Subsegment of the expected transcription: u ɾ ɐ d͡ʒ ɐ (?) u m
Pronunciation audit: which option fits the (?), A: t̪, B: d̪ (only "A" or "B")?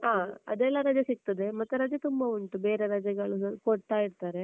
A